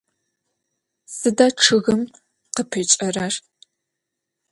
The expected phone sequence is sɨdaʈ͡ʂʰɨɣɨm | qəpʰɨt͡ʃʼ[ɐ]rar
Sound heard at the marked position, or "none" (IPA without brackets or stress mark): ɐ